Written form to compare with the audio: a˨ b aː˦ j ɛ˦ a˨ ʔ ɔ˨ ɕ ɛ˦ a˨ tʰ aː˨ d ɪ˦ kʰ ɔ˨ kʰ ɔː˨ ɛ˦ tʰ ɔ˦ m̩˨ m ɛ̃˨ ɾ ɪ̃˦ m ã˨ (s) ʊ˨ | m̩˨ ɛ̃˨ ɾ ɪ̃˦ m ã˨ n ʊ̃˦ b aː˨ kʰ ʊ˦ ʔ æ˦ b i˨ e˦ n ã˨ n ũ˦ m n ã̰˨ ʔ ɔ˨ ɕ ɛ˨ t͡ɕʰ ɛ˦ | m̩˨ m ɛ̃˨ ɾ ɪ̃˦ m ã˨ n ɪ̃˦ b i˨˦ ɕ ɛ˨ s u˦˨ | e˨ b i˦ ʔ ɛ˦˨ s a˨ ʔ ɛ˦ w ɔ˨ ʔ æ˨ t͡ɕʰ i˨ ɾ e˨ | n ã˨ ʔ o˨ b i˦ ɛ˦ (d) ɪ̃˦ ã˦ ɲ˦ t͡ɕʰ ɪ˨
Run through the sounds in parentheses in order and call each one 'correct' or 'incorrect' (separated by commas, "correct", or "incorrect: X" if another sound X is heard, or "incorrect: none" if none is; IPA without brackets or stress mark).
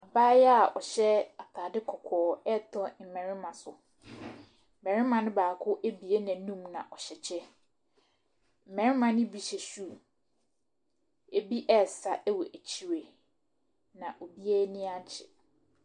correct, incorrect: n